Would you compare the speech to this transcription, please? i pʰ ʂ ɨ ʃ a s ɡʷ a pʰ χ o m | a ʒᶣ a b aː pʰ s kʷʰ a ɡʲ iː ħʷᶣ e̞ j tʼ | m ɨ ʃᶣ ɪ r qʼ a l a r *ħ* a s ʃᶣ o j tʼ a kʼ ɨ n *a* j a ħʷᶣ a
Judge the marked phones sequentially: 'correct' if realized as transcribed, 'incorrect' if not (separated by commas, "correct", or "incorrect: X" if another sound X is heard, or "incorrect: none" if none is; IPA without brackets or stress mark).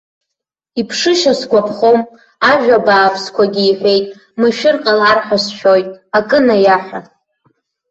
correct, correct